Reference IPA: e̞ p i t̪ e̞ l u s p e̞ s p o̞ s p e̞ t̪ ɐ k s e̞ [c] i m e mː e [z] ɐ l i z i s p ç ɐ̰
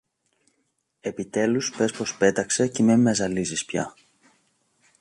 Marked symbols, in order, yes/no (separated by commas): yes, yes